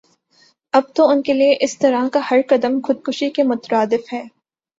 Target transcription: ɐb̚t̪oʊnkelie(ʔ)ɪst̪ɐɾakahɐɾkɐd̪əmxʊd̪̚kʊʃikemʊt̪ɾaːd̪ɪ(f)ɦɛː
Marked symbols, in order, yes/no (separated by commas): yes, yes